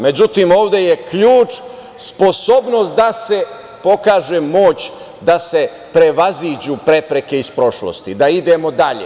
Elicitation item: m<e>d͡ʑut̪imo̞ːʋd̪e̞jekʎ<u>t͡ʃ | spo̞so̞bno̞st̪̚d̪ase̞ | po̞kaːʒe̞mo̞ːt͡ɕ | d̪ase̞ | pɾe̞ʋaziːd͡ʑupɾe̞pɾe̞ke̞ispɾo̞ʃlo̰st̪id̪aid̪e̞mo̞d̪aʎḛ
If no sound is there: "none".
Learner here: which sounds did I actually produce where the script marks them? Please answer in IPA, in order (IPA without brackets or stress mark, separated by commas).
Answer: e, uː